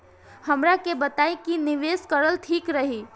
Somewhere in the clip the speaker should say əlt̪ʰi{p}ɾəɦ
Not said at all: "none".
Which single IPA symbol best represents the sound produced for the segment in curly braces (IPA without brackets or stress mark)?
k